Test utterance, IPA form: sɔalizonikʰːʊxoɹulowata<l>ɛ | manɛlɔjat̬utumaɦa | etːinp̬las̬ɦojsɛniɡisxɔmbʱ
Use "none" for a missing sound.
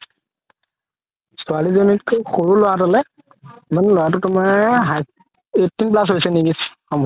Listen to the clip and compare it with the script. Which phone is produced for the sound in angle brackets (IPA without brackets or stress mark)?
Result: l